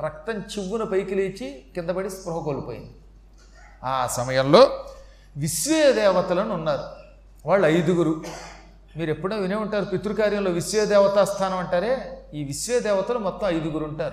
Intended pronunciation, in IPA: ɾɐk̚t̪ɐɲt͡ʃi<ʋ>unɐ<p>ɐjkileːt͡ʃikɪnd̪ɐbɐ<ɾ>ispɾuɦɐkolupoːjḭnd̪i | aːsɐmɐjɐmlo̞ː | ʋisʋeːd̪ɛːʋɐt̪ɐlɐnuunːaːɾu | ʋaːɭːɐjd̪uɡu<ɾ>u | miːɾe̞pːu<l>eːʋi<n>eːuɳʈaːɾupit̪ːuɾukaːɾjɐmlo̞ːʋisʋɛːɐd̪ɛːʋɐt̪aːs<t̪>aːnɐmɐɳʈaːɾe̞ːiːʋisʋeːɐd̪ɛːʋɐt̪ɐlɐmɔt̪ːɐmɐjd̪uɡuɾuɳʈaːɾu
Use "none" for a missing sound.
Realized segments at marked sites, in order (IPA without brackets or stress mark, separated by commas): ʋː, p, ɽ, ɾ, ɽ, n, t̪ʰ